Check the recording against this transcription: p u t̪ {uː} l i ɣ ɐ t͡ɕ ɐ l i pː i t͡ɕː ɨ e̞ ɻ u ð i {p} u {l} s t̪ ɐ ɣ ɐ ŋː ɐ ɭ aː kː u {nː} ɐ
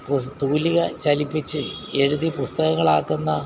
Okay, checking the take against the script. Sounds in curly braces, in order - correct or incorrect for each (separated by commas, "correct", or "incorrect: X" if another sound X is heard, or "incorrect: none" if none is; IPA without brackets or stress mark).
correct, correct, incorrect: none, correct